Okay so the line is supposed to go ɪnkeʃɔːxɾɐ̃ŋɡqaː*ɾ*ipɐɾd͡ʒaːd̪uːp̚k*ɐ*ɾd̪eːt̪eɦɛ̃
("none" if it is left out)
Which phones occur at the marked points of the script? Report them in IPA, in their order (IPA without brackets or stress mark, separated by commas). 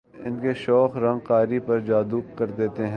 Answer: ɾ, ɐ